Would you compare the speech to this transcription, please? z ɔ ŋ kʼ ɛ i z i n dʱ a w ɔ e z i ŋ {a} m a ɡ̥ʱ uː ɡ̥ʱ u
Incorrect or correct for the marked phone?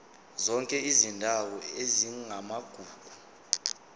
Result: correct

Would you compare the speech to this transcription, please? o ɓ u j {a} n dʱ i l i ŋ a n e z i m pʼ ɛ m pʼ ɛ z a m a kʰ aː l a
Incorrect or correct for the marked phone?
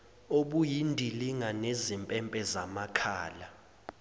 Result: incorrect: i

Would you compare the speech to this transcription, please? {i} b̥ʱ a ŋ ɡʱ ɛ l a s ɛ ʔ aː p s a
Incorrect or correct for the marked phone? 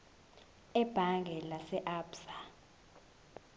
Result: incorrect: ɛ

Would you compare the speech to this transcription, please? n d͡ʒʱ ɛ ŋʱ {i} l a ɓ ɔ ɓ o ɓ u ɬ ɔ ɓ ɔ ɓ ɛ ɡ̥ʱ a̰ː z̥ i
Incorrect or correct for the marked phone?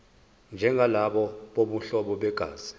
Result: incorrect: a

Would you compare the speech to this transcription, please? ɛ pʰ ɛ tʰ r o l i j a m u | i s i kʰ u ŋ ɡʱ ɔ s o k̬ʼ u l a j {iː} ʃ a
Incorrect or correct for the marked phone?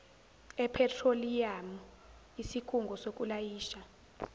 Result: correct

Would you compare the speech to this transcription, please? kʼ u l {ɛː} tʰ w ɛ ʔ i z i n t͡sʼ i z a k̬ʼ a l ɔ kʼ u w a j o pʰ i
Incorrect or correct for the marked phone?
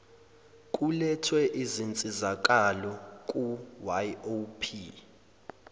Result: incorrect: ɛ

